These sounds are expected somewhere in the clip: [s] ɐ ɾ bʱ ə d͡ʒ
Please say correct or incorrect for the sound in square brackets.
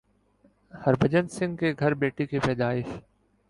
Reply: incorrect